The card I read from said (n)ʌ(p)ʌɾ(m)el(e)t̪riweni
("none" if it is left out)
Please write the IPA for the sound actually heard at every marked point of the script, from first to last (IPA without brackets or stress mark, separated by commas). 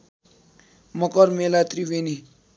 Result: m, k, m, a